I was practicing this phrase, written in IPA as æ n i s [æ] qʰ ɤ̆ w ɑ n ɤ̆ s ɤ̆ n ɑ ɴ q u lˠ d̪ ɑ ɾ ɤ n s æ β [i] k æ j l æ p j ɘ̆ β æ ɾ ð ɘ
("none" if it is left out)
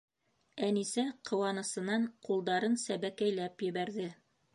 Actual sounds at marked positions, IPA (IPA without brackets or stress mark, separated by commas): æ, æ